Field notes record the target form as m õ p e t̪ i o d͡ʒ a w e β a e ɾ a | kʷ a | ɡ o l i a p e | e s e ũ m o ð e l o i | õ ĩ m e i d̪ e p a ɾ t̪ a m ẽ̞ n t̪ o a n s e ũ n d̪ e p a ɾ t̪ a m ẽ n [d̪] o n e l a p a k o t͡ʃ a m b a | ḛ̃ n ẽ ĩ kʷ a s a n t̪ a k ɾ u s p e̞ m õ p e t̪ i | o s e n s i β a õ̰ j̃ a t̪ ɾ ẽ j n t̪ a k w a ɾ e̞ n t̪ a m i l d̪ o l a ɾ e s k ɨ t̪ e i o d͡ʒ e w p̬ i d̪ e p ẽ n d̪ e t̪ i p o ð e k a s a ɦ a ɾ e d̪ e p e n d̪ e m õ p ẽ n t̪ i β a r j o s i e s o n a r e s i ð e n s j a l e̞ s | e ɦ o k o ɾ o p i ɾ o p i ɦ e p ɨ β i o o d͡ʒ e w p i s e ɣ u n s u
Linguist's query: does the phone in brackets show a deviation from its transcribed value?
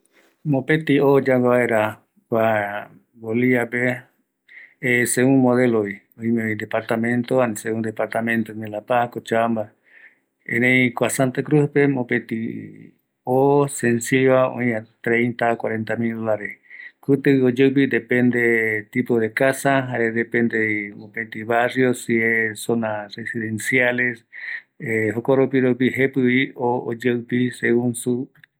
yes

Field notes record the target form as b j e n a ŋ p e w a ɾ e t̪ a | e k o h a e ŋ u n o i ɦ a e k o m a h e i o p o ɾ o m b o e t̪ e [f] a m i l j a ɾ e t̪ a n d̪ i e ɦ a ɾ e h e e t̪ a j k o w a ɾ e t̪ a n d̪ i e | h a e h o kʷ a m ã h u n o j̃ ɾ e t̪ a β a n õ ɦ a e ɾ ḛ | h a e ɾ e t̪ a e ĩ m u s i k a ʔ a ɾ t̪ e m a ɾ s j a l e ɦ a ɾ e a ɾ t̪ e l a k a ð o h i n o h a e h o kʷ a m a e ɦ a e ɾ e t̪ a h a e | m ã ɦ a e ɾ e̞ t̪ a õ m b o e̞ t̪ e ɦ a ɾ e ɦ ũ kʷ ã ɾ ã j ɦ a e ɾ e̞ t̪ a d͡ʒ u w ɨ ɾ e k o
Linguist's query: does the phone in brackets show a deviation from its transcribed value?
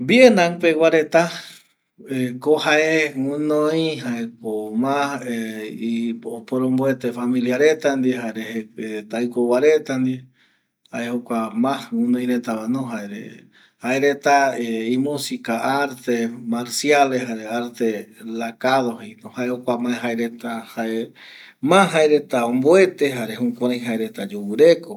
no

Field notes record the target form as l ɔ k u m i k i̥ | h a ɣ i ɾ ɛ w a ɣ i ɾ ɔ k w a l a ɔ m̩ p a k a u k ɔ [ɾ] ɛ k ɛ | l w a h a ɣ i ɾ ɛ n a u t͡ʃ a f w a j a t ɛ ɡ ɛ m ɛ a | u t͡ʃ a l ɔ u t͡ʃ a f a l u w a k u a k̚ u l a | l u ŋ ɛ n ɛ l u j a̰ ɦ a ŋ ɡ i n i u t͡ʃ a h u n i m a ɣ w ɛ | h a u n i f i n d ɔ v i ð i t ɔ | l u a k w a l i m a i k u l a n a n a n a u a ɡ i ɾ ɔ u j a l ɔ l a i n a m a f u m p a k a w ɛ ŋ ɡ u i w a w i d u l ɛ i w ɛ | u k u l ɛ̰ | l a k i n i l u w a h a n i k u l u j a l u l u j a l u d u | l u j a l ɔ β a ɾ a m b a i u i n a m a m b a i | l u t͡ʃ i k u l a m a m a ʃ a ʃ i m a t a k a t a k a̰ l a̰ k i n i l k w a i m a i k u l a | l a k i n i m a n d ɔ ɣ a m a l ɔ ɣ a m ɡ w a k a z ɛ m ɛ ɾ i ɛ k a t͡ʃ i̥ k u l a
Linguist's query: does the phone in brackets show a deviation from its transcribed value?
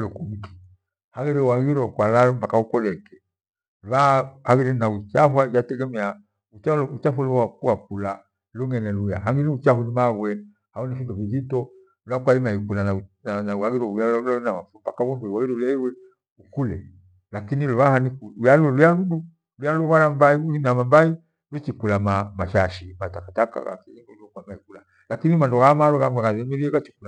yes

